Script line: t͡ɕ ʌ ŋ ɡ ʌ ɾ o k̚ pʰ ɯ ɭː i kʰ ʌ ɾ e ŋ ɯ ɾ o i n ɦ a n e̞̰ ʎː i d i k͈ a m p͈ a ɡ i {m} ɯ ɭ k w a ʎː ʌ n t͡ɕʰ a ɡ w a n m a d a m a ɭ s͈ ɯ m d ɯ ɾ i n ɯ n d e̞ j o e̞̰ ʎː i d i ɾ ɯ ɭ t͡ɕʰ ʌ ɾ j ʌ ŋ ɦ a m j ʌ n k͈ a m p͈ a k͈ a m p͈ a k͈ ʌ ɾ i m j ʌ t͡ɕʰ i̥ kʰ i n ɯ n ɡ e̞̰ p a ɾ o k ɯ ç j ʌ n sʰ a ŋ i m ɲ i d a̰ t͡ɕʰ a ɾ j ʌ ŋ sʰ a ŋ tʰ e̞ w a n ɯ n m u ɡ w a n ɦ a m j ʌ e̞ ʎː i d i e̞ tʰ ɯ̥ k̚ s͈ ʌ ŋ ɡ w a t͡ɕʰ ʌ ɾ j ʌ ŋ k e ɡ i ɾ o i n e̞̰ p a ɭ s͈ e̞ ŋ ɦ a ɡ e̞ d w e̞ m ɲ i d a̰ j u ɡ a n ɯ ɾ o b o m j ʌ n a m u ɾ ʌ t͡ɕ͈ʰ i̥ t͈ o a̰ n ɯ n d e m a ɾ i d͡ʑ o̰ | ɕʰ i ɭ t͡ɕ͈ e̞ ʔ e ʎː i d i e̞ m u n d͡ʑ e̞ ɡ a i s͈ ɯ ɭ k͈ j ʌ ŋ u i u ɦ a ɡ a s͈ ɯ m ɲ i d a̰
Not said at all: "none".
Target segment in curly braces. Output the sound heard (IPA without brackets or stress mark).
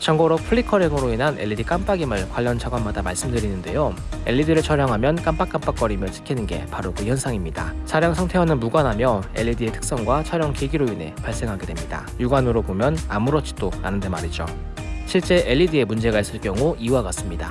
m